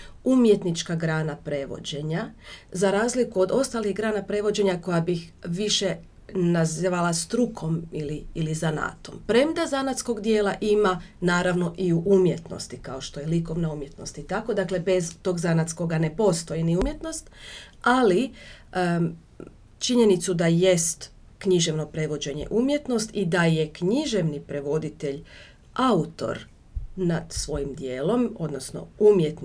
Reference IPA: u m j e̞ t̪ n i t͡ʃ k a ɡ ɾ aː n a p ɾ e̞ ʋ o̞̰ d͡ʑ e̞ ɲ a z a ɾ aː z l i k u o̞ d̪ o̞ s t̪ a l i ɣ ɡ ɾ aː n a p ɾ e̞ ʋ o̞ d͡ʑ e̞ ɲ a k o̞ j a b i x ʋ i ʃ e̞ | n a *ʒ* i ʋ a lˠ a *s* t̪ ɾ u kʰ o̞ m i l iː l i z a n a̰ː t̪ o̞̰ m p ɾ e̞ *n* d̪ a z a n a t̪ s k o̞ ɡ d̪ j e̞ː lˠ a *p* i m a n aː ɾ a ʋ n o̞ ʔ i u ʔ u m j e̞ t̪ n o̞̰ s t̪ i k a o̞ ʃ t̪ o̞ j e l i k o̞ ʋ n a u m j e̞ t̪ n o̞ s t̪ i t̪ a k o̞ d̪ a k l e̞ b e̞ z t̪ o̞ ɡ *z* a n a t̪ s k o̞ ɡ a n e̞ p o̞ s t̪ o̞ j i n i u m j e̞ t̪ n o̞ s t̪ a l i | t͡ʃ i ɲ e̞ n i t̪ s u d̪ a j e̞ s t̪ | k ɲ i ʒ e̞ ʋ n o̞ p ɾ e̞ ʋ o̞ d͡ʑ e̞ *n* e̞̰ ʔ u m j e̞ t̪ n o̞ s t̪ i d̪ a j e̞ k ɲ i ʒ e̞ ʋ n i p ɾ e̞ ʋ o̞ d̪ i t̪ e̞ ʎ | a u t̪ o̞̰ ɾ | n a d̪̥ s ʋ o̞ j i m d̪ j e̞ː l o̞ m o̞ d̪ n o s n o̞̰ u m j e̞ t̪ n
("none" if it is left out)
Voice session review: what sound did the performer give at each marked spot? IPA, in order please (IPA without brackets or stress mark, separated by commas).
z, s, m, ʔ, z, ɲ